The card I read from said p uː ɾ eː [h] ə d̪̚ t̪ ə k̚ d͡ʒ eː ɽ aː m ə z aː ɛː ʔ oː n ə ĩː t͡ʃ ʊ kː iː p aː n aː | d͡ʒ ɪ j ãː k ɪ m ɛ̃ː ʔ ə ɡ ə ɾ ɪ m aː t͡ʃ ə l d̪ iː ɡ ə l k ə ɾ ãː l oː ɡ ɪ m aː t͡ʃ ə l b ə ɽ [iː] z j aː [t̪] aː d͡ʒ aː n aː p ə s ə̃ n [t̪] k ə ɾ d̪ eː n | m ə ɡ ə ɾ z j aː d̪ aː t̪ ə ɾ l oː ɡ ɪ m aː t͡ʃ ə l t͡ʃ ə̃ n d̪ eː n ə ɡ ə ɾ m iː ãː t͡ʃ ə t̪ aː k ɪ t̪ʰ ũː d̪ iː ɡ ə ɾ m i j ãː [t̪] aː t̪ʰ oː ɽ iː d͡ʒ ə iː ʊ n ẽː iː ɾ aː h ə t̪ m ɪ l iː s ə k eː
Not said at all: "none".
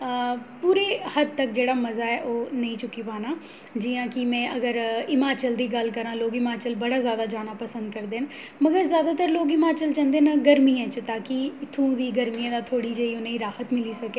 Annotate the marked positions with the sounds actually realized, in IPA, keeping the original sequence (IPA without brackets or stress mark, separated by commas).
h, aː, d̪, d̪, d̪